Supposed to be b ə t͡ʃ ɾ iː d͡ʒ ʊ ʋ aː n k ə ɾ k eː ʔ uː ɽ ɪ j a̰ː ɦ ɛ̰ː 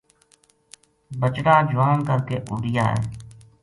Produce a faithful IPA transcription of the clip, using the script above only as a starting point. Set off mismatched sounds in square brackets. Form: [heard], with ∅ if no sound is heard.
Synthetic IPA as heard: b ə t͡ʃ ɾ [aː] d͡ʒ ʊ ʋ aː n k ə ɾ k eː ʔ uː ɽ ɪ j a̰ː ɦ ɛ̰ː

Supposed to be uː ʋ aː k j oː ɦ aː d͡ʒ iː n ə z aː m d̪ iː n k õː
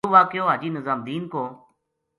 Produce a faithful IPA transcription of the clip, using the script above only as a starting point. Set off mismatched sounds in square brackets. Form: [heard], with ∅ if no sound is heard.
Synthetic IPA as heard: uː ʋ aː k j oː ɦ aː d͡ʒ iː n ə z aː m d̪ iː n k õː

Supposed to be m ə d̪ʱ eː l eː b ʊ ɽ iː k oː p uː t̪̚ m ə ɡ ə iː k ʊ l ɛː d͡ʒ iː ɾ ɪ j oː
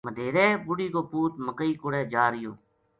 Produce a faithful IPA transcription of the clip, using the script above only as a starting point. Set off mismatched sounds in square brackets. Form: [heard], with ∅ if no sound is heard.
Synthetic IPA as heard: m ə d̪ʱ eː [ɾ] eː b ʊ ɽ iː k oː p uː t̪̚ m ə [k] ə iː k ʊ [ɽ] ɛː d͡ʒ [aː] ɾ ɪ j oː

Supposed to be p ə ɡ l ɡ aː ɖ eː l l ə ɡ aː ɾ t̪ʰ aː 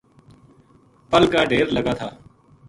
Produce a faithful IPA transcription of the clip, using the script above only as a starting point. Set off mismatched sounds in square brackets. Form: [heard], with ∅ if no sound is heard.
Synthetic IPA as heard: p ə [∅] l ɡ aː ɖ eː [ɾ] l ə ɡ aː [∅] t̪ʰ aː

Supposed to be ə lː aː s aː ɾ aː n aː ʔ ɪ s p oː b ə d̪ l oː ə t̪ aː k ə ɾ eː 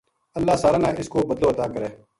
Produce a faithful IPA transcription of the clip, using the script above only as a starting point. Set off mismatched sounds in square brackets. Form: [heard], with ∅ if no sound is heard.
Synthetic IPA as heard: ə lː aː s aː ɾ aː n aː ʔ ɪ s [k] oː b ə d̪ l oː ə t̪ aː k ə ɾ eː

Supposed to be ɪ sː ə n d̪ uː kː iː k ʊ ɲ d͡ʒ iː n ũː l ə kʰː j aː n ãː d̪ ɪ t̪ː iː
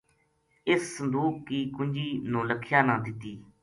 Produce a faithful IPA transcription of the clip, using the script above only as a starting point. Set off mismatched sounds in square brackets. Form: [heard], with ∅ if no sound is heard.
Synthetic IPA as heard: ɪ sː ə n d̪ uː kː iː k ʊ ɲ d͡ʒ iː n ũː l ə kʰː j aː n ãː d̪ ɪ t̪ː iː

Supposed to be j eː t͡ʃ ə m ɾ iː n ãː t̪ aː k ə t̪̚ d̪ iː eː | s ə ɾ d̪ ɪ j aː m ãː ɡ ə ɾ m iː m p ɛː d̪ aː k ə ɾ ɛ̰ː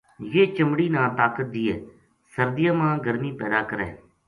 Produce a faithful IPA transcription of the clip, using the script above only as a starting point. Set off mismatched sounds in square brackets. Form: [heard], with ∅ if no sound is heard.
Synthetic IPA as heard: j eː t͡ʃ ə m [ɽ] iː n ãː t̪ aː k ə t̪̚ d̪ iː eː | s ə ɾ d̪ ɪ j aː m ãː ɡ ə ɾ m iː [∅] p ɛː d̪ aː k ə ɾ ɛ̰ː

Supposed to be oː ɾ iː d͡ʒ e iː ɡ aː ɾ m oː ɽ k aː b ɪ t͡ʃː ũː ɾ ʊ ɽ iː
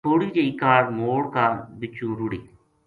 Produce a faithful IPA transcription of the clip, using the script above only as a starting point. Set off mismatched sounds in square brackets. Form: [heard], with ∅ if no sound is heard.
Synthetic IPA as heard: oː [ɽ] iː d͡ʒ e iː [k] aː ɾ m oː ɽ k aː b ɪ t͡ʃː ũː ɾ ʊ ɽ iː

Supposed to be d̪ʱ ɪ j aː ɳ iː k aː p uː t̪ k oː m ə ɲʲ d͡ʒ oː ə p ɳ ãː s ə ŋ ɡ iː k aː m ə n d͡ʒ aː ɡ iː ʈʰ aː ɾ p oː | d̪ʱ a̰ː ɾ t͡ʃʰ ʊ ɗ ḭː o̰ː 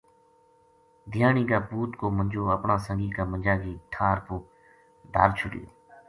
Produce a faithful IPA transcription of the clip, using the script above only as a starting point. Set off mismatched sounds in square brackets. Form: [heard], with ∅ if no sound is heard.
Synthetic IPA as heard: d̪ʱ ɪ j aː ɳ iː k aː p uː t̪ k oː m ə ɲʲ d͡ʒ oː ə p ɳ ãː s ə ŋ ɡ iː k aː m ə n d͡ʒ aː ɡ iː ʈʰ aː ɾ p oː | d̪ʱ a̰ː ɾ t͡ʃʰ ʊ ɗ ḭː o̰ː

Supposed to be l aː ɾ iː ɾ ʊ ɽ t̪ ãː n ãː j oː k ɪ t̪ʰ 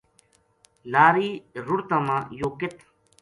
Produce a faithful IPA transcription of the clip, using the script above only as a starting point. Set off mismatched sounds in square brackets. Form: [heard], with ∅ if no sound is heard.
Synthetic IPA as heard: l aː ɾ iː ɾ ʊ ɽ t̪ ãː [m] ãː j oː k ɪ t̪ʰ

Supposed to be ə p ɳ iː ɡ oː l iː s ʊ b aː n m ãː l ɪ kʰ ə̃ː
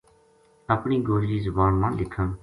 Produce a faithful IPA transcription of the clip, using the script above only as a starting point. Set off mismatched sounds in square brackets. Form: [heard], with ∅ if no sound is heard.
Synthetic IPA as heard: ə p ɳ iː ɡ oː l iː [z] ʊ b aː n m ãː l ɪ kʰ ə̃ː

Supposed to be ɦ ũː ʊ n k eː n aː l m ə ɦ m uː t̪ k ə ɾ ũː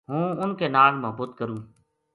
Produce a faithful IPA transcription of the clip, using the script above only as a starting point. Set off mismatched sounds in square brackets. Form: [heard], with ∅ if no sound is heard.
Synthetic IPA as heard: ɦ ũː ʊ n k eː n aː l m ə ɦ [b] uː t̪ k ə ɾ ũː

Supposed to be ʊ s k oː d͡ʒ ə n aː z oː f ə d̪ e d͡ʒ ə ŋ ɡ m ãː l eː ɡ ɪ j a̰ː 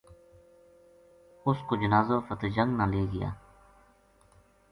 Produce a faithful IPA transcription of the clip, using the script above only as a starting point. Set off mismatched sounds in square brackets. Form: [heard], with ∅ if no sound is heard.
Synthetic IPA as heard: ʊ s k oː d͡ʒ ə n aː z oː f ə [t̪] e d͡ʒ ə ŋ ɡ [n] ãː l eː ɡ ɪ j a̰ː

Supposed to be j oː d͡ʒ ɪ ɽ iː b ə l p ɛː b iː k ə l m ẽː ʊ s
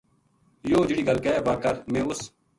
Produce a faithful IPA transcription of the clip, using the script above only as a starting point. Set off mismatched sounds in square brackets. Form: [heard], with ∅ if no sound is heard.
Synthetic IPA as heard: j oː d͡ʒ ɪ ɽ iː [ɡ] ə l [k] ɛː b [aː] k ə [ɾ] m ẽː ʊ s

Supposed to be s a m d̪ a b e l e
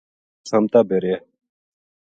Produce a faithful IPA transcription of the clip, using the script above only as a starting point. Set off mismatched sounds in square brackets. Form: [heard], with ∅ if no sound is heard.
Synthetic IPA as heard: s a m [t̪] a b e [ɾ] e

